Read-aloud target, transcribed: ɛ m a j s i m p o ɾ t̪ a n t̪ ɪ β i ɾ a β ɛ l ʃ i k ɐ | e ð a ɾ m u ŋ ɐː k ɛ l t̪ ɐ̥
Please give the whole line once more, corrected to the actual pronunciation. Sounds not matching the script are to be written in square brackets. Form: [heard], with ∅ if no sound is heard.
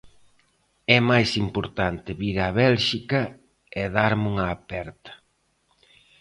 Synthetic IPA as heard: ɛ m a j s i m p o ɾ t̪ a n t̪ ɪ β i ɾ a β ɛ l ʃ i k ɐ | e ð a ɾ m u ŋ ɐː [p] ɛ [ɾ] t̪ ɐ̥

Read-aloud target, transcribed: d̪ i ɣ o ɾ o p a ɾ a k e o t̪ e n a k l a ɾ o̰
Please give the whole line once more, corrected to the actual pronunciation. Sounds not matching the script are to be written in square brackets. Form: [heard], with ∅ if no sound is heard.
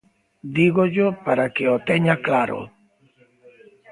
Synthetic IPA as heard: d̪ i ɣ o [ʎ] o p a ɾ a k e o t̪ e [ɲ] a k l a ɾ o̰

